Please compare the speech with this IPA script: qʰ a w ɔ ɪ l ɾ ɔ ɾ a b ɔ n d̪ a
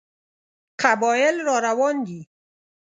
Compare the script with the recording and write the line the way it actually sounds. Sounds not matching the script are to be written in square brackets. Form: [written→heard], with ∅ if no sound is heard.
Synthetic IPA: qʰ a [w→b] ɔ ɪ l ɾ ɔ ɾ a [b→w] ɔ n d̪ [a→i]